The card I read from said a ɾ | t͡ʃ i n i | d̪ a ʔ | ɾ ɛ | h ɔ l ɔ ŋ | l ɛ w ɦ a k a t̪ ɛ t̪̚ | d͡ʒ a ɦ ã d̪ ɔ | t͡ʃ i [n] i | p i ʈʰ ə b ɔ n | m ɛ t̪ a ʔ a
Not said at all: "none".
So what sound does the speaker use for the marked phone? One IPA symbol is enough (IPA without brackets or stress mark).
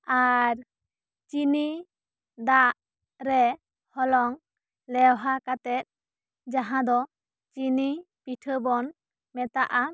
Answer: n